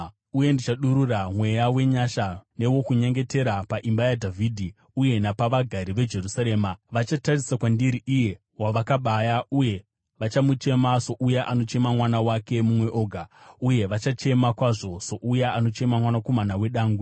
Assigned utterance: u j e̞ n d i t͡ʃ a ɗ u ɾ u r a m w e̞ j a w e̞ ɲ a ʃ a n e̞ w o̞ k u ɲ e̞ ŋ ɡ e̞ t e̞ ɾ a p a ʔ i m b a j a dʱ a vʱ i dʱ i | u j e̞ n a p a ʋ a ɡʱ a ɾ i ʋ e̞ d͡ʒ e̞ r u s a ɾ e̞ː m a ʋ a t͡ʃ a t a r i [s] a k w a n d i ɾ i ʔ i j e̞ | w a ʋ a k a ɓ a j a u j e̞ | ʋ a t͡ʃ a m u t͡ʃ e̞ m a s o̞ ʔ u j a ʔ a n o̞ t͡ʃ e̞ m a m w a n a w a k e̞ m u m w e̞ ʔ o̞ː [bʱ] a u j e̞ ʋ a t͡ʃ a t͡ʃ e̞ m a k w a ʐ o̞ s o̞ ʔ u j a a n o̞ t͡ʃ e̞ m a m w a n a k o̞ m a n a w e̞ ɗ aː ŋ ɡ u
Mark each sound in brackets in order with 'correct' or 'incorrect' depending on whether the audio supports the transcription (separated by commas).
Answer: correct, incorrect